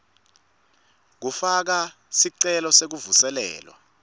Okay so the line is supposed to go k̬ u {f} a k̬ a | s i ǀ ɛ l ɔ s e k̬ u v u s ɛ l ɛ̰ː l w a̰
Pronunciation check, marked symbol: correct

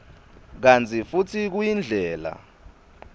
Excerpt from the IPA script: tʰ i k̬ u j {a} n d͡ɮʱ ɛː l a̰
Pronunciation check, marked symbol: incorrect: i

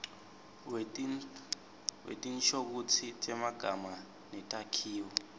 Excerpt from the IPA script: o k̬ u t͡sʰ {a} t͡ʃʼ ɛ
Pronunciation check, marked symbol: incorrect: i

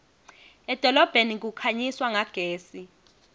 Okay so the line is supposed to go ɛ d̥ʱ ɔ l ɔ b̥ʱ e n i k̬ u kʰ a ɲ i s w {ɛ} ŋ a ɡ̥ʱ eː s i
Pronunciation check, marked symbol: incorrect: a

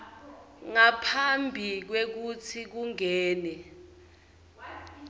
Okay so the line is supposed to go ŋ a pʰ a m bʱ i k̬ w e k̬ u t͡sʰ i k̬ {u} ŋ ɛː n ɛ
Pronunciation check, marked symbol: correct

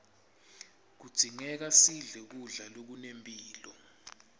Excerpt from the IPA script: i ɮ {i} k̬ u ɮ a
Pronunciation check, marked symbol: incorrect: ɛ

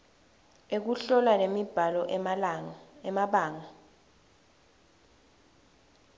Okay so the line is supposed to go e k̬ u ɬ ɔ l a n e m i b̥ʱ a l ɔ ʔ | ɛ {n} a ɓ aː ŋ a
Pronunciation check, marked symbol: incorrect: m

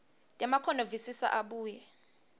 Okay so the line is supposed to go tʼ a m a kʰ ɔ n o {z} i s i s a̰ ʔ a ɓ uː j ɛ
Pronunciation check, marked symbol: incorrect: v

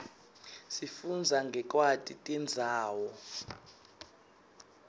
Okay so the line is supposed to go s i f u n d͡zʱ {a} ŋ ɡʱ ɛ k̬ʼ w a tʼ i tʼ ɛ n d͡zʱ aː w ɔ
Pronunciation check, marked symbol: correct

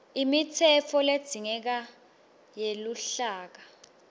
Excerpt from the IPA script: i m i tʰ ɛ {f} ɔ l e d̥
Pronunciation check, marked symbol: correct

